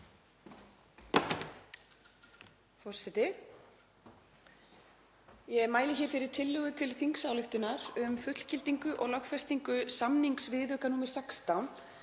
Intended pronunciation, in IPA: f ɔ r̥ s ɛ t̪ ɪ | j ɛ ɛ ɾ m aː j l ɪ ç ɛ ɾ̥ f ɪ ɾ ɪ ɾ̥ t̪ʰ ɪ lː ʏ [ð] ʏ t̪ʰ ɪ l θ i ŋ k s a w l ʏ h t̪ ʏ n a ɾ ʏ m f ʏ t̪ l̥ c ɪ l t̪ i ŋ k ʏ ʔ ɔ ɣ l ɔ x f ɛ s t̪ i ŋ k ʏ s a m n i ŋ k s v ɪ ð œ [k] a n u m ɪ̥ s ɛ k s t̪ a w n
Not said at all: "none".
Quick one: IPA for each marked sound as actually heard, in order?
ɣ, k

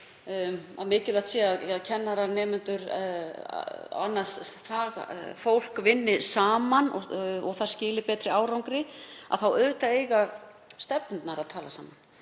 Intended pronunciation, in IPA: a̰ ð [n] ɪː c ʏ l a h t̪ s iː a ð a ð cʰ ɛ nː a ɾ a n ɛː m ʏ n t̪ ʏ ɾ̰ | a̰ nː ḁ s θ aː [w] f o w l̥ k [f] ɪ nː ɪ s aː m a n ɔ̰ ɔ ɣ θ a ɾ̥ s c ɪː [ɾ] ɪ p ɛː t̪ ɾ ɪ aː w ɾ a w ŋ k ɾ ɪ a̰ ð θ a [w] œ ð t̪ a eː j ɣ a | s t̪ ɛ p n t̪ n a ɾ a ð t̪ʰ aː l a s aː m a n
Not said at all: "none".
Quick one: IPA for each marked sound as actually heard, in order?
m, ɣ, v, l, w

